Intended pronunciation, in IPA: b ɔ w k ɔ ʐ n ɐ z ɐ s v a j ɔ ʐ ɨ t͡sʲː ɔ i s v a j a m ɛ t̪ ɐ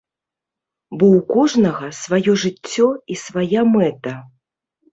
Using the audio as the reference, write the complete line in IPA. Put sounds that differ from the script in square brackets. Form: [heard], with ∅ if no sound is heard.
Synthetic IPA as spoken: b ɔ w k ɔ ʐ n ɐ [ɣ] ɐ s v a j ɔ ʐ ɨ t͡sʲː ɔ i s v a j a m ɛ t̪ ɐ